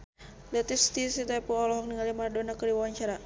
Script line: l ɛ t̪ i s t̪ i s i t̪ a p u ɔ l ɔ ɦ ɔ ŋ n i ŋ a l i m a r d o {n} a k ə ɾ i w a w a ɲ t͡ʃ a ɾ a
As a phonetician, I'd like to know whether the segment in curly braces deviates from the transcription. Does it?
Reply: no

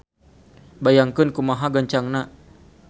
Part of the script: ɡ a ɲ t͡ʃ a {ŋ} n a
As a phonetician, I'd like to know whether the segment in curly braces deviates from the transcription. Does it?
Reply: no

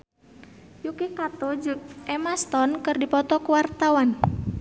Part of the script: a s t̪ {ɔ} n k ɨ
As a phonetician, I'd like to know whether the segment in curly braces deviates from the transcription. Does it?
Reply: no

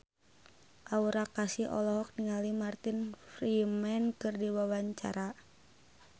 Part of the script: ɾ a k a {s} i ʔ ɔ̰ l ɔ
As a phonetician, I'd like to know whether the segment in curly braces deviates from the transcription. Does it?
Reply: no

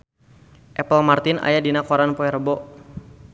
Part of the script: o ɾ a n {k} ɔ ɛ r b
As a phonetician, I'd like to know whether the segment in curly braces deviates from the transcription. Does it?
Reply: yes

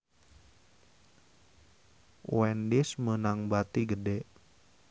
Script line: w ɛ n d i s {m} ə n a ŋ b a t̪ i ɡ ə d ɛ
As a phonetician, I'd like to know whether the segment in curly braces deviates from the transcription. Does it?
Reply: no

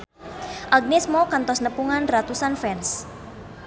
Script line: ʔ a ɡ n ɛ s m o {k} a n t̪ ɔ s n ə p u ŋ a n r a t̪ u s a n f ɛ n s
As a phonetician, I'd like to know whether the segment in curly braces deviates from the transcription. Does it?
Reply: no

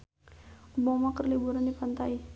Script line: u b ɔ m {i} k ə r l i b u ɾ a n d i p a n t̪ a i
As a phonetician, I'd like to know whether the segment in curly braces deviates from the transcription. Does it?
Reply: yes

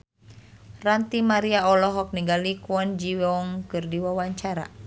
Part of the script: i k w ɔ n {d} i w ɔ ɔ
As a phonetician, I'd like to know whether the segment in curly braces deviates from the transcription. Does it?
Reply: yes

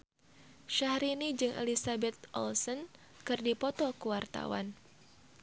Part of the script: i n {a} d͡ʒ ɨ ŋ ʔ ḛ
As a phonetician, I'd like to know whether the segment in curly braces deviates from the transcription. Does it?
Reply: yes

